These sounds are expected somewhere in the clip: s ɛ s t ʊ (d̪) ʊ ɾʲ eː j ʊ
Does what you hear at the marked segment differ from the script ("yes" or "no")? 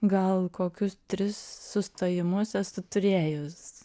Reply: yes